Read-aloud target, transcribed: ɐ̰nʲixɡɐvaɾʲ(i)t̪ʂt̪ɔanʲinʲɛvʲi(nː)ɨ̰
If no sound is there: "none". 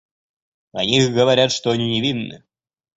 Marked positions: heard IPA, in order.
a, nː

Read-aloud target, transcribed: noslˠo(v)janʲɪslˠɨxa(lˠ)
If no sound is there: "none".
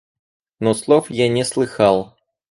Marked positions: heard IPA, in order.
f, lˠ

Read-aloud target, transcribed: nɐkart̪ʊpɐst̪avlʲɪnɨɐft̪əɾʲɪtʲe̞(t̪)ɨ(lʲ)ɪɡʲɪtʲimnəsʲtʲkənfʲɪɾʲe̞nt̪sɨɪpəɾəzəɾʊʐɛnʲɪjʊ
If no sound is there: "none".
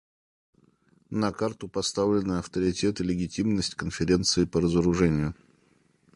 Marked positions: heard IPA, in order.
t̪, lʲ

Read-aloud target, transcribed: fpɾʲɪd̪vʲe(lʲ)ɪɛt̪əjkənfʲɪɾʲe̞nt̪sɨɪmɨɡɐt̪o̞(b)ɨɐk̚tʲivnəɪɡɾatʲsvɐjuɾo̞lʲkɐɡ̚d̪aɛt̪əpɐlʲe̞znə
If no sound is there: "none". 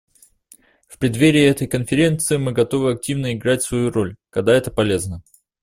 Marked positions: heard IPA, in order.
ɾʲ, v

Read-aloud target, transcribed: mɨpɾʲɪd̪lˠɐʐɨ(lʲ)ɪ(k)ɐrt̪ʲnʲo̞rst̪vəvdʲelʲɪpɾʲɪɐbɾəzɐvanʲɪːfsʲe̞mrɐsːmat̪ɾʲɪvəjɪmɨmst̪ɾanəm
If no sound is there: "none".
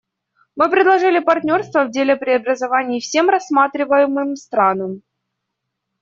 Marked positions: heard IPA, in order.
lʲ, p

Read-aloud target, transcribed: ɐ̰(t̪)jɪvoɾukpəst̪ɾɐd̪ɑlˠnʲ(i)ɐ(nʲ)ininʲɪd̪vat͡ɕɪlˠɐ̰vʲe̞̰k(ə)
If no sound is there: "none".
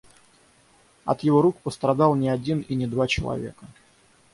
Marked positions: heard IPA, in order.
t̪, ɪ, dʲ, ə

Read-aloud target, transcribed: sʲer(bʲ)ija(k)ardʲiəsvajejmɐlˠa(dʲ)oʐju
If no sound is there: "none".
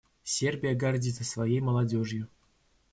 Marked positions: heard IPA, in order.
bʲ, ɡ, dʲ

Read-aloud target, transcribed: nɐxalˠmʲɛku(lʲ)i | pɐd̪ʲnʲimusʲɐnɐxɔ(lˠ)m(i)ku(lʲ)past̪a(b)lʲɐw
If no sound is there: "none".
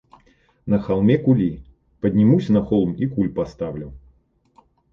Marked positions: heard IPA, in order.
lʲ, lˠ, i, lʲ, w

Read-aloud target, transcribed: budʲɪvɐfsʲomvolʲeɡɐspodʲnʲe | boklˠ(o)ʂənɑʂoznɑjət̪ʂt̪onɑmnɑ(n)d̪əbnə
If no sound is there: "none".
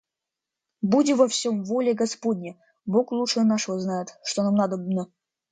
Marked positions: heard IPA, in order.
u, none

